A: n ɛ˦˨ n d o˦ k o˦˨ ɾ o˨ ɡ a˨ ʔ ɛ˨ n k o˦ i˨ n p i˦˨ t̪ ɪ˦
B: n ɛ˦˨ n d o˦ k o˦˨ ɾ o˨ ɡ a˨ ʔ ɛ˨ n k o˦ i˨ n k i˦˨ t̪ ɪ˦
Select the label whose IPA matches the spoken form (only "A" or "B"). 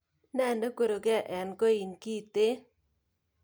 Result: B